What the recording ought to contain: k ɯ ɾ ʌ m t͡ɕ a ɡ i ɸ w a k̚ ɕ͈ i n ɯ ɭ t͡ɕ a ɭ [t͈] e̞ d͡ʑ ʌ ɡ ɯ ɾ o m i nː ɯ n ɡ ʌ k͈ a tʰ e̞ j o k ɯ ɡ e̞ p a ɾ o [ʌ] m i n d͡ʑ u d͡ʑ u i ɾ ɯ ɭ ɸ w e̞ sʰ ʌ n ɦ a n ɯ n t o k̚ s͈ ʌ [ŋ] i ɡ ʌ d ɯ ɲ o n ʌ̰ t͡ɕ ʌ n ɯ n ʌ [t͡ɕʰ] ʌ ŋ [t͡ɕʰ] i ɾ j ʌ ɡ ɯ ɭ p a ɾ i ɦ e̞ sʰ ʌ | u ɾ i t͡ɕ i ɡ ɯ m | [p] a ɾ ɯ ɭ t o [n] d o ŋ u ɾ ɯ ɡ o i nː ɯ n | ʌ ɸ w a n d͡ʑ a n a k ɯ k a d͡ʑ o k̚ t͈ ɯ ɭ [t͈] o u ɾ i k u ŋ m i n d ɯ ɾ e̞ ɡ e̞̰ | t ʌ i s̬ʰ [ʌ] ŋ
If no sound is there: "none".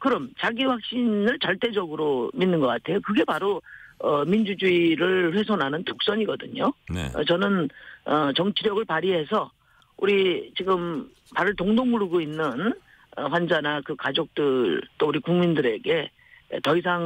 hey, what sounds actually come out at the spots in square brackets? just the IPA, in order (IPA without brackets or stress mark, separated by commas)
t͈, ʌ, ɲ, t͡ɕ, t͡ɕʰ, p, ŋ, t͈, a